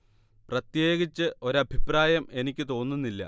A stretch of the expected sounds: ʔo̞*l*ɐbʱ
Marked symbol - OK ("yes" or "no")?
no